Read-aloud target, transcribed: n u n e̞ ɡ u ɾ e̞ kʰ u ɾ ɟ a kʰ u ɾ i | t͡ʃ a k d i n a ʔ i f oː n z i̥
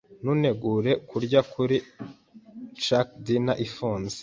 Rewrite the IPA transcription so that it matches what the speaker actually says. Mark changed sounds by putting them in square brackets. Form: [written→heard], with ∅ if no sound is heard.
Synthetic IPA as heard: n u n e̞ ɡ u ɾ e̞ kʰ u ɾ ɟ a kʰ u ɾ i | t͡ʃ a k d i n a ʔ i f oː n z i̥